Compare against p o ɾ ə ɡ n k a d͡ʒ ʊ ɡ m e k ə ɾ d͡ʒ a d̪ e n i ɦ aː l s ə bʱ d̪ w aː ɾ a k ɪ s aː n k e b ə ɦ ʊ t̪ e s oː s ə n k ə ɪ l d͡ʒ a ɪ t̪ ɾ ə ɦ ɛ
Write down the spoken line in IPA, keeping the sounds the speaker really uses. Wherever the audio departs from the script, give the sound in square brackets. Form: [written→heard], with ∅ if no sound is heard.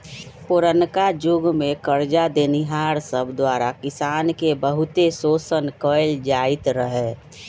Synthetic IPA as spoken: p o ɾ ə [ɡ→∅] n k a d͡ʒ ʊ ɡ m e k ə ɾ d͡ʒ a d̪ e n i ɦ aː [l→ɾ] s ə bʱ d̪ w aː ɾ a k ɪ s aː n k e b ə ɦ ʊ t̪ e s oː s ə n k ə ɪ l d͡ʒ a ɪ t̪ ɾ ə ɦ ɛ